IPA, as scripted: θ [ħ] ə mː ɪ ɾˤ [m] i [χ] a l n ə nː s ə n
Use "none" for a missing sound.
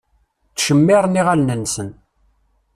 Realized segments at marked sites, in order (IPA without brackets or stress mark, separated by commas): ʃ, n, ʁ